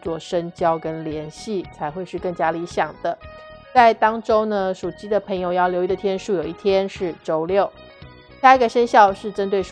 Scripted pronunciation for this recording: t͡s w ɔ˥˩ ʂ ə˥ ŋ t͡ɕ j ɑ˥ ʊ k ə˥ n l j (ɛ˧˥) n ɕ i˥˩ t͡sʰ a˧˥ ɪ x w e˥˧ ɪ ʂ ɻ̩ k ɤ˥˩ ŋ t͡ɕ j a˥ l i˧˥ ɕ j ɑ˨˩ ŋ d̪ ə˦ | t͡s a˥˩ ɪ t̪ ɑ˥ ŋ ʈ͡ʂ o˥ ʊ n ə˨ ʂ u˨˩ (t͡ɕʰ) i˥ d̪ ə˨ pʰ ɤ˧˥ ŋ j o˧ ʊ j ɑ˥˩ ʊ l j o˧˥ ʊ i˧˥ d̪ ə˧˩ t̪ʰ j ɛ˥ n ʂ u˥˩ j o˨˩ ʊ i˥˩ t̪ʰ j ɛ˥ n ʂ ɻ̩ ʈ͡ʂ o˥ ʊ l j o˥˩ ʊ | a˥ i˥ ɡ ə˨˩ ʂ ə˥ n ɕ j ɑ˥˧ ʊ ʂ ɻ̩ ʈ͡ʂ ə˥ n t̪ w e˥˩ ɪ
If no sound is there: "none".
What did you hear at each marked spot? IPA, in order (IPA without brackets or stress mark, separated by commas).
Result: ɛ˧˥, t͡ɕ